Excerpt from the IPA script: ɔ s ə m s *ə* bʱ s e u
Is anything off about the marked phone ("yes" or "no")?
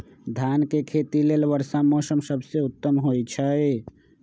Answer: no